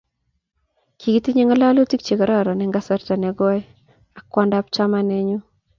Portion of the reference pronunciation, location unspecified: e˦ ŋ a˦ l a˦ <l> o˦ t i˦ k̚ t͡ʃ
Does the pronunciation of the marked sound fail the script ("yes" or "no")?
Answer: no